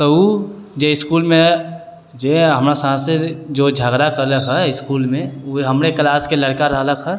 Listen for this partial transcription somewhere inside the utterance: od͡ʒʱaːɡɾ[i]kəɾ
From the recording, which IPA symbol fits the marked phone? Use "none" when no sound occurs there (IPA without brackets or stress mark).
a